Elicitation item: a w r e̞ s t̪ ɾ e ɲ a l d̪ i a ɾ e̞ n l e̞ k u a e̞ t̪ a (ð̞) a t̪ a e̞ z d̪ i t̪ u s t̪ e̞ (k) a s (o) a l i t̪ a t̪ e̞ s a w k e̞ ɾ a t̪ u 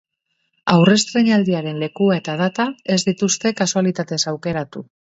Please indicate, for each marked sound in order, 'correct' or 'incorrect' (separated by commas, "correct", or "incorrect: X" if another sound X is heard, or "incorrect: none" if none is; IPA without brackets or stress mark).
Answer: correct, correct, incorrect: u